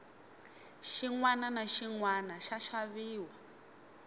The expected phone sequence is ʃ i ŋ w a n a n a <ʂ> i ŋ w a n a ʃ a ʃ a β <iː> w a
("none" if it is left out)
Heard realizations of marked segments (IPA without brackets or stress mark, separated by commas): ʃ, iː